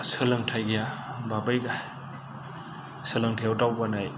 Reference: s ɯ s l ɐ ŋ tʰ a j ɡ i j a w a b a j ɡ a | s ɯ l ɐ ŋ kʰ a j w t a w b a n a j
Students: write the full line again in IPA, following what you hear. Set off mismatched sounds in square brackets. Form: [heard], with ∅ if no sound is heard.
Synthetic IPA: s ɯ [∅] l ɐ ŋ tʰ a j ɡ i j a [b] a b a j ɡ a | s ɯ l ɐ ŋ [tʰ] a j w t a w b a n a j

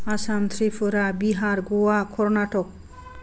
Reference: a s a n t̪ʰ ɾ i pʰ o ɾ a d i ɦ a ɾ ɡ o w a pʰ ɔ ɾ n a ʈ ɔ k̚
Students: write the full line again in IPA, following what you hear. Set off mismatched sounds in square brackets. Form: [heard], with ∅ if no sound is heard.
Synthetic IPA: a s a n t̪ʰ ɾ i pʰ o ɾ a [b] i ɦ a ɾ ɡ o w a [kʰ] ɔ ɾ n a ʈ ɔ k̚

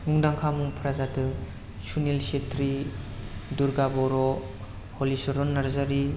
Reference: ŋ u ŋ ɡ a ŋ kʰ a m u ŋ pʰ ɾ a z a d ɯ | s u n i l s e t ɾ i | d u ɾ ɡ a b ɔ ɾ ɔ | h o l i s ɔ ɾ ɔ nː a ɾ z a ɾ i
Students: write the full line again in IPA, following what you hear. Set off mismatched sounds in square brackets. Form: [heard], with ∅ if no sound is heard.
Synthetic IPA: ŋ u ŋ [d] a ŋ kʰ a m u ŋ pʰ ɾ a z a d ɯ | s u n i l s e t ɾ i | d u ɾ ɡ a b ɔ ɾ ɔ | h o l i s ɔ ɾ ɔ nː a ɾ z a ɾ i

